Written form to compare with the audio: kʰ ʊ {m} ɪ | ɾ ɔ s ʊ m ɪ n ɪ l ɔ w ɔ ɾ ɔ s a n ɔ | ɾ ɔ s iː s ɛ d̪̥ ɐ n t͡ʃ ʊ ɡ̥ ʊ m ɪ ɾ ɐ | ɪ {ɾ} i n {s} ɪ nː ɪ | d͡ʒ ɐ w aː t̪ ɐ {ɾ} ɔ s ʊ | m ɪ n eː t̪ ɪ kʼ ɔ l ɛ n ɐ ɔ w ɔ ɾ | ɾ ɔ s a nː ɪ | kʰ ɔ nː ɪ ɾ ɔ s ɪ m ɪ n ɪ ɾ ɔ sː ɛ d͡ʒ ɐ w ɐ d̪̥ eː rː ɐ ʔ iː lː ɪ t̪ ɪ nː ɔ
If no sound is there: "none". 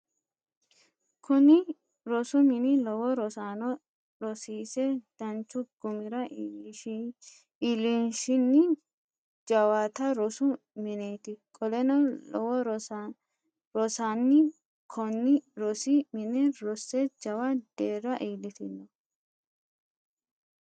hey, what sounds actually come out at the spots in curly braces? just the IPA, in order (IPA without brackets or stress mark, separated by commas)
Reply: n, l, ʃ, ɾ